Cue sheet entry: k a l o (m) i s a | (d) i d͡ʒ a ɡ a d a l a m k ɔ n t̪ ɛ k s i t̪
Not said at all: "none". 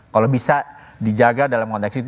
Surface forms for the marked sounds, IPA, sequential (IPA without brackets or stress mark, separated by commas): b, d